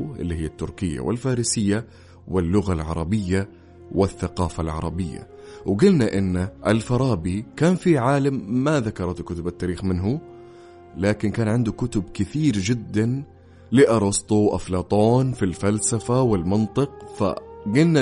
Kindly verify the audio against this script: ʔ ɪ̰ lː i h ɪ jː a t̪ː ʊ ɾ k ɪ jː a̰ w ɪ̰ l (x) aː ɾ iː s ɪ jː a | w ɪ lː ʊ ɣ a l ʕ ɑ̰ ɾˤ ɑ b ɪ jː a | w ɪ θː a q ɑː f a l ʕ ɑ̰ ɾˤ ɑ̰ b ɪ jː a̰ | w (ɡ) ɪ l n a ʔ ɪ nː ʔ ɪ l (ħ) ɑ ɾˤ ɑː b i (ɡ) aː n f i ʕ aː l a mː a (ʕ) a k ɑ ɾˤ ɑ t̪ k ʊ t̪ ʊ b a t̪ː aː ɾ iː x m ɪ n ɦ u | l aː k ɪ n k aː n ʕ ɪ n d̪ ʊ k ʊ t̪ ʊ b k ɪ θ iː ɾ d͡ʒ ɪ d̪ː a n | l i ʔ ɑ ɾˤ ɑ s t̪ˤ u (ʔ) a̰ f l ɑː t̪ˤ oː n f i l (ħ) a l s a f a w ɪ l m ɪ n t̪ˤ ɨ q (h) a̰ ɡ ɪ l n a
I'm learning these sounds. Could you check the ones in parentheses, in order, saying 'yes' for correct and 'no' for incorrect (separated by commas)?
no, yes, no, no, no, yes, no, no